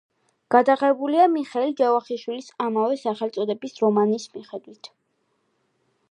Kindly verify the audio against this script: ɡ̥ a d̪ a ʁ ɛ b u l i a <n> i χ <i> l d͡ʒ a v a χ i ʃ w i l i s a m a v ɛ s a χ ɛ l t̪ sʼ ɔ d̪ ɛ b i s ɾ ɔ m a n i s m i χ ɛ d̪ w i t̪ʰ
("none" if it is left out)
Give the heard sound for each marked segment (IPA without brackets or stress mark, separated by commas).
m, ɛ